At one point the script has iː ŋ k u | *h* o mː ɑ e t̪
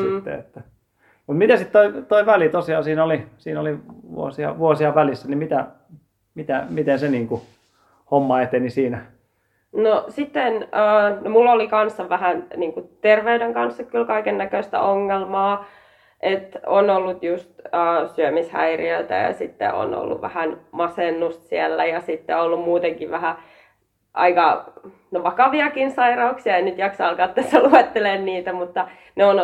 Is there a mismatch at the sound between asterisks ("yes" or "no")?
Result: no